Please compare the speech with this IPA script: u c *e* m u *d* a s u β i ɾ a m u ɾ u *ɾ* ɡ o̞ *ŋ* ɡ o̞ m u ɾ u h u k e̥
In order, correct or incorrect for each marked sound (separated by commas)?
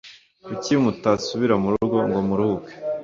incorrect, incorrect, correct, correct